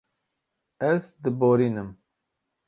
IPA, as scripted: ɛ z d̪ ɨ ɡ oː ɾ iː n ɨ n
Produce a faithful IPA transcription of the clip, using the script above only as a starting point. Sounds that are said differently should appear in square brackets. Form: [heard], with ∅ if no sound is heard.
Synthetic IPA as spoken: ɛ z d̪ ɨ [b] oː ɾ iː n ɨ [m]